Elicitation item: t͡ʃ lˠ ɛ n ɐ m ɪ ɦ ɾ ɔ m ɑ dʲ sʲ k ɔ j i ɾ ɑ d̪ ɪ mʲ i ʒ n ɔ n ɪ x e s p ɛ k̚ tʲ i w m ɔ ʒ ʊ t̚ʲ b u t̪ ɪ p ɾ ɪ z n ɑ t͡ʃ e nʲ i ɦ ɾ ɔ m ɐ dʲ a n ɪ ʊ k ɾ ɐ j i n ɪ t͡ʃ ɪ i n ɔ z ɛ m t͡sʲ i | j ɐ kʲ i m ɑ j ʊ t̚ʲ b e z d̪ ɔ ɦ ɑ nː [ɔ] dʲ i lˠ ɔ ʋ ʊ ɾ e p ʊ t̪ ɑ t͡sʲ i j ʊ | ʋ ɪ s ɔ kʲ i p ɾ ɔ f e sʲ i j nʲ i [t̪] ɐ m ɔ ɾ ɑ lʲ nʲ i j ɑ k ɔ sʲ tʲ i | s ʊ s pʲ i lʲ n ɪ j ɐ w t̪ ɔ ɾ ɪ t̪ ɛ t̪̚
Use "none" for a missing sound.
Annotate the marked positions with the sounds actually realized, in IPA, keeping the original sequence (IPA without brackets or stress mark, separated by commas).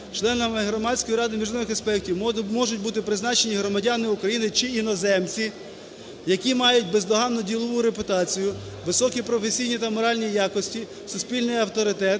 ɔ, t̪